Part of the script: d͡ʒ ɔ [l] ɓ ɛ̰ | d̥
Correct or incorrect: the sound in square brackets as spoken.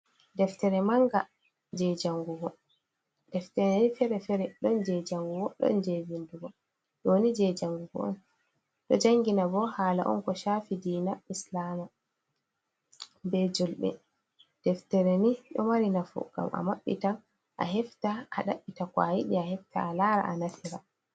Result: correct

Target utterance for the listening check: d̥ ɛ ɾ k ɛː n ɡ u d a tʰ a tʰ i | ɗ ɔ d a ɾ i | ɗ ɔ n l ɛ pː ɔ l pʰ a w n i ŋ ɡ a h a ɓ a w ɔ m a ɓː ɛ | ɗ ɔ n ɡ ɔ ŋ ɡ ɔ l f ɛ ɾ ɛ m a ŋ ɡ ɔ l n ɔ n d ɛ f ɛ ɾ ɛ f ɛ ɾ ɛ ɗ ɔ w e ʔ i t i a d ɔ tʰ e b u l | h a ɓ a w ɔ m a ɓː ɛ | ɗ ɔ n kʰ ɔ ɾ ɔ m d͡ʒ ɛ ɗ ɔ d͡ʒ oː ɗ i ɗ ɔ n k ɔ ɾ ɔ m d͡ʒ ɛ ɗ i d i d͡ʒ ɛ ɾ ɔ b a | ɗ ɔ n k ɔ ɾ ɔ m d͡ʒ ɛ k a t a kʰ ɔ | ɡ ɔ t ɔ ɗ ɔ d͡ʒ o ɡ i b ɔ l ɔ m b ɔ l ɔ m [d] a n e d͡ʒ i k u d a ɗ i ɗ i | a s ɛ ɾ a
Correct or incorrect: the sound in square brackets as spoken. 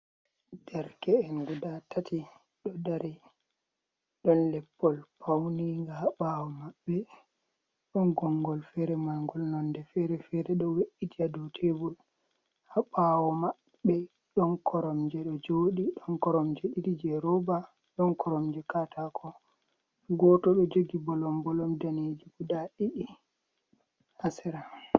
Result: correct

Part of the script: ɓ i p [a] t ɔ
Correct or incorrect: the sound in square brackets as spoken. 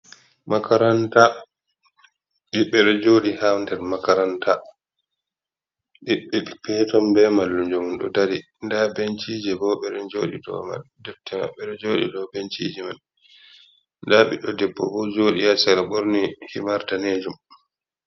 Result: incorrect: ɛ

